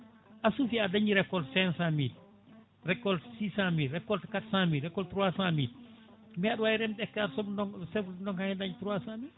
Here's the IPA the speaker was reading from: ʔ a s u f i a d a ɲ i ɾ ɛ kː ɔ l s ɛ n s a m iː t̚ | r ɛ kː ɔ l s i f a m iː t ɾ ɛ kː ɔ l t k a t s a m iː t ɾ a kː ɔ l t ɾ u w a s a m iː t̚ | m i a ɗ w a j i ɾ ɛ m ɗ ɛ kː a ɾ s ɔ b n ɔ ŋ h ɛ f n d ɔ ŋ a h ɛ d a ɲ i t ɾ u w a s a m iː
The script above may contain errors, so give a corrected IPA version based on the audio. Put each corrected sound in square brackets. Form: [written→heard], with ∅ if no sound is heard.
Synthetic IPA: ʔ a s u f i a d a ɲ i ɾ ɛ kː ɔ l s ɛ n s a m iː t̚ | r ɛ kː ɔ l s i [f→s] a m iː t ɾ ɛ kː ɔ l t k a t s a m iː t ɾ [a→ɛ] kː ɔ l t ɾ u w a s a m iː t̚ | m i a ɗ w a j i ɾ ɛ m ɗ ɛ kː a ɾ s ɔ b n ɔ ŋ [h→s] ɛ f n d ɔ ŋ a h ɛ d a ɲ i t ɾ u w a s a m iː